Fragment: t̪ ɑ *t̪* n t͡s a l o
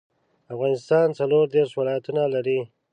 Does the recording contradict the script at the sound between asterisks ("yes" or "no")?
yes